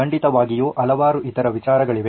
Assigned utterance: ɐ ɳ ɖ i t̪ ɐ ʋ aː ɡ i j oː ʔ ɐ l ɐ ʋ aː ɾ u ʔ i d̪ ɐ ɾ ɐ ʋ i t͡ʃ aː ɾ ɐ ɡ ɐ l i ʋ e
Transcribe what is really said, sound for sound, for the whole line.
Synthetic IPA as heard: ɐ ɳ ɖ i t̪ ɐ ʋ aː ɡ i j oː ʔ ɐ l ɐ ʋ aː ɾ u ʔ i t̪ ɐ ɾ ɐ ʋ i t͡ʃ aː ɾ ɐ ɡ ɐ ɭ i ʋ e